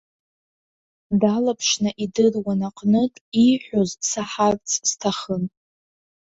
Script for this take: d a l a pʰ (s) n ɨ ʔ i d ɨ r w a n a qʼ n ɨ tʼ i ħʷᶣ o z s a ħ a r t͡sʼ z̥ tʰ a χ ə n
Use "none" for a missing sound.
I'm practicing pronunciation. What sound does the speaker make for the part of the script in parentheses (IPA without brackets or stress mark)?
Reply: ʂ